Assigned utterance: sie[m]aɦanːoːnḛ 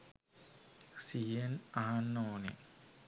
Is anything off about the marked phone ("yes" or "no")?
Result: yes